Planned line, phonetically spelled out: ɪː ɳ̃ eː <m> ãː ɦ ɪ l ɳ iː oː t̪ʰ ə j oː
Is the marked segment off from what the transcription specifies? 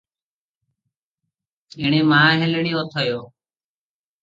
no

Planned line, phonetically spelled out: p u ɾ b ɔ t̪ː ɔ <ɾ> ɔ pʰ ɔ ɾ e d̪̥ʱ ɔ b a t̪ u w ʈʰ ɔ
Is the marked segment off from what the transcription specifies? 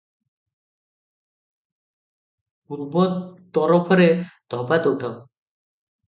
no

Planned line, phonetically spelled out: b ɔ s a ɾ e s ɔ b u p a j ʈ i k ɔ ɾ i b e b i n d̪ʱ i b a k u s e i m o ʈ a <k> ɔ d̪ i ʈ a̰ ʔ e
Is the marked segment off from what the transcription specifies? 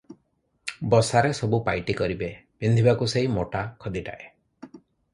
yes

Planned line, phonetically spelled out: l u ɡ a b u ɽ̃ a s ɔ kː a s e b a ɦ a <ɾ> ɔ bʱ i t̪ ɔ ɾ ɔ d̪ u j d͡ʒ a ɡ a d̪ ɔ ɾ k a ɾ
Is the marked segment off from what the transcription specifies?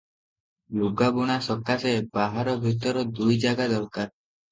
no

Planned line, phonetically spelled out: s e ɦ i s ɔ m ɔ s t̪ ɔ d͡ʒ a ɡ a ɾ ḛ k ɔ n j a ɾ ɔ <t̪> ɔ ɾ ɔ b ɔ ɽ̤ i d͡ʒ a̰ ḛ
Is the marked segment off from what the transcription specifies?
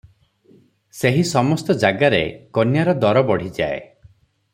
yes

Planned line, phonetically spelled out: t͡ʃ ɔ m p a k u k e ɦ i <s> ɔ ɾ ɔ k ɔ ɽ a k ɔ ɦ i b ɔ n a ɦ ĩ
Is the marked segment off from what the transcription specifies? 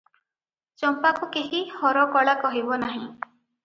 yes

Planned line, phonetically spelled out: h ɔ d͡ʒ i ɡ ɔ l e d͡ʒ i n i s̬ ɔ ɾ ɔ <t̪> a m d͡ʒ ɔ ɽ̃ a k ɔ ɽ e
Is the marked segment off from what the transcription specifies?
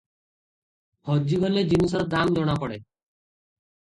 yes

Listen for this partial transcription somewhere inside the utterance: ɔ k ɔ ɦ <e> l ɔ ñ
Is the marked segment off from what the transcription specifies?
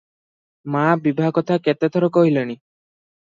yes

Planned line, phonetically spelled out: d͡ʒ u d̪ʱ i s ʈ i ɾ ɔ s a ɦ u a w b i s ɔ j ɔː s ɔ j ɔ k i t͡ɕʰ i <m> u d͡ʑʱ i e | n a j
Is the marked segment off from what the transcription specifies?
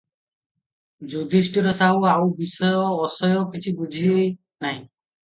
yes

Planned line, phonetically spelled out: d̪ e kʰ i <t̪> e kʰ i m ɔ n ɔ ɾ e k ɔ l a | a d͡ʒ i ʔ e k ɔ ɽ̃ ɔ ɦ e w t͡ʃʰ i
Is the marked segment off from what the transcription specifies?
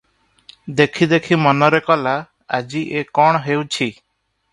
yes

